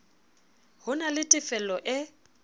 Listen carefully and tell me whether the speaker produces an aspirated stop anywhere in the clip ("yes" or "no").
no